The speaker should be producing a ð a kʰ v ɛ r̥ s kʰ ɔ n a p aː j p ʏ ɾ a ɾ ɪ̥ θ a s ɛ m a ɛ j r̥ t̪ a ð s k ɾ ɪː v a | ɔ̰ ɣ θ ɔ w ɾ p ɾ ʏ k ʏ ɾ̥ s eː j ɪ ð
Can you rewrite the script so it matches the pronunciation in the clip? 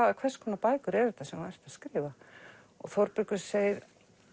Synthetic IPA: a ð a kʰ v ɛ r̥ s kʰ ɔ n a p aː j k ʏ ɾ ɛ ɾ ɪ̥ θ a s ɛ m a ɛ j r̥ t̪ a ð s k ɾ ɪː v a | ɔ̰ ɣ θ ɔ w ɾ p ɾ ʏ k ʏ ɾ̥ s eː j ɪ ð